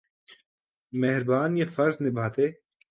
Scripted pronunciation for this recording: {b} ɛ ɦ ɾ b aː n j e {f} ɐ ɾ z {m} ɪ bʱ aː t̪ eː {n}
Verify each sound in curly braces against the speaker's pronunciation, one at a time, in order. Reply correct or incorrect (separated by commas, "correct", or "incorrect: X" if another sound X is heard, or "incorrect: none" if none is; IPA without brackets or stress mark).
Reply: incorrect: m, correct, incorrect: n, incorrect: none